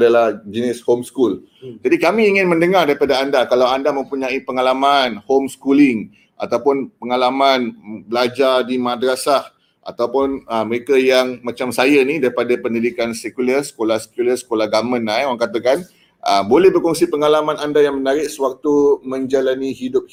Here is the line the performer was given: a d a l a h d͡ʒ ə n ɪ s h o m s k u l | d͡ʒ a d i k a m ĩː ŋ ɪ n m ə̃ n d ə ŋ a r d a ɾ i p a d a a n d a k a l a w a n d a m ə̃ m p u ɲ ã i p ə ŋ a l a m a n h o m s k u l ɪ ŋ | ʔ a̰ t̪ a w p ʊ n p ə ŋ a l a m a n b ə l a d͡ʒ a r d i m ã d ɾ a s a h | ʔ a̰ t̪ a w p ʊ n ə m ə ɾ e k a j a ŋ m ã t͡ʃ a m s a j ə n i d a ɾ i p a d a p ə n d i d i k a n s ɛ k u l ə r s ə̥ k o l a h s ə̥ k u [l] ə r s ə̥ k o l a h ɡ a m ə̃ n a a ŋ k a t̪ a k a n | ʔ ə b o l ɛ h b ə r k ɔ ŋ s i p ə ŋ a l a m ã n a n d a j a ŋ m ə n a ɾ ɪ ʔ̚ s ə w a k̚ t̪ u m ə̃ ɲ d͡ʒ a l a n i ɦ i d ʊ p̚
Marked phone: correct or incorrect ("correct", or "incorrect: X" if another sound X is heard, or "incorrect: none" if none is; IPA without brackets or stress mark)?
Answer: correct